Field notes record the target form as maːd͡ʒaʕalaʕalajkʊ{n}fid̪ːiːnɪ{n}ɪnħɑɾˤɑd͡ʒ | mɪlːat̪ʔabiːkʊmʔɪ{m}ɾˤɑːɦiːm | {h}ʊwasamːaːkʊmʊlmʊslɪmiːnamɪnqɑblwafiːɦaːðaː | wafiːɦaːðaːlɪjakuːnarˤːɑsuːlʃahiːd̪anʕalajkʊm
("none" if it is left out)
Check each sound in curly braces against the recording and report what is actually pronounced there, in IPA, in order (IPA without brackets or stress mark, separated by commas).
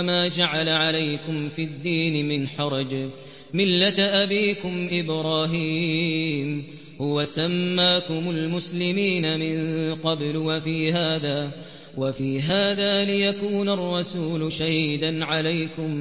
m, m, b, h